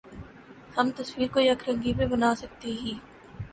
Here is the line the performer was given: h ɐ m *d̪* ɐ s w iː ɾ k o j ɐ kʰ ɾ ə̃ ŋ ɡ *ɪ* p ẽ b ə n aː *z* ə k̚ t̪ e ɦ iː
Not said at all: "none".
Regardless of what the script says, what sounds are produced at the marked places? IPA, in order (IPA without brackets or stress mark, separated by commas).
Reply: t̪, i, s